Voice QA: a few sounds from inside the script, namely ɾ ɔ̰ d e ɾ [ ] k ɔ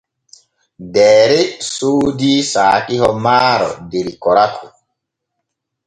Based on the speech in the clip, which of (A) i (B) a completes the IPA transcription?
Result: A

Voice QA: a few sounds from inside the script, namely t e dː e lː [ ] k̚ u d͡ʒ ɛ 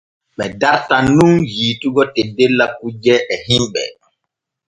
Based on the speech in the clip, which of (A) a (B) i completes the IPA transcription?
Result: A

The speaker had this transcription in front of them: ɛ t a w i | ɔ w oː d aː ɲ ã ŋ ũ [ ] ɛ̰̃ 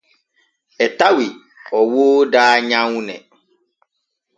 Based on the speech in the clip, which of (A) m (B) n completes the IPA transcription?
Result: B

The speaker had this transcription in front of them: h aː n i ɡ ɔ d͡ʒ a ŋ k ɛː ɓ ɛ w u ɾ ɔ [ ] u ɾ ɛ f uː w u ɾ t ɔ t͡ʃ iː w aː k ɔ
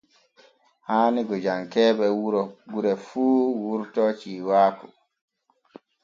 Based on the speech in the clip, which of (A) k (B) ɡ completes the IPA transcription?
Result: B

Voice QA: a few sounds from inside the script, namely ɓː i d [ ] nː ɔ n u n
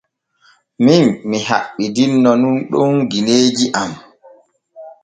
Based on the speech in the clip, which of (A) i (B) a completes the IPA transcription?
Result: A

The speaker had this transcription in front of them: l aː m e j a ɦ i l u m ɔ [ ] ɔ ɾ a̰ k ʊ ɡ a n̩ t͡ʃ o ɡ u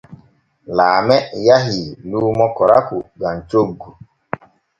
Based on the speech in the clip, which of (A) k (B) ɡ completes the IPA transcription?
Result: A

